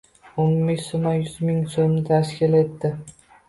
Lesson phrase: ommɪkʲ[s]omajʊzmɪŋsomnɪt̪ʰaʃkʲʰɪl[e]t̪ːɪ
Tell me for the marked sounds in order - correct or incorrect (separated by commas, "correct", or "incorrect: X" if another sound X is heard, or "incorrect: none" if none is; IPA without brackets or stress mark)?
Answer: correct, correct